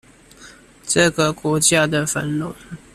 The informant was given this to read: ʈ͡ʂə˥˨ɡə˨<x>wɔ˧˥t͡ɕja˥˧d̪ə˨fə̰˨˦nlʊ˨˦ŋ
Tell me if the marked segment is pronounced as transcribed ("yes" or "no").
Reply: no